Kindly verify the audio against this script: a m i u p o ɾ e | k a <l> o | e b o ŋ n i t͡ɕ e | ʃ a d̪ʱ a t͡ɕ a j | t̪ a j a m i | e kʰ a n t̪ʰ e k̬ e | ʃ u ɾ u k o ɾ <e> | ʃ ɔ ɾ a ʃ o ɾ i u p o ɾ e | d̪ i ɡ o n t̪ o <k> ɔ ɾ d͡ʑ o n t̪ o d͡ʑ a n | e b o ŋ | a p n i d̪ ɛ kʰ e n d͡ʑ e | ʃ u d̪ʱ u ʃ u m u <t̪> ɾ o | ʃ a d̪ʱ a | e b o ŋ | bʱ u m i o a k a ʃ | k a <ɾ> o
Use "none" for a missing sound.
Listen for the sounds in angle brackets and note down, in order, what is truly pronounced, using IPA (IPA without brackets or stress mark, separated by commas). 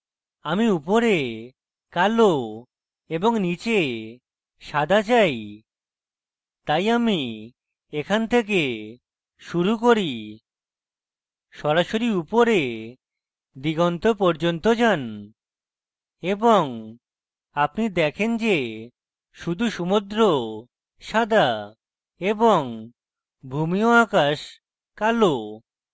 l, i, p, d̪, l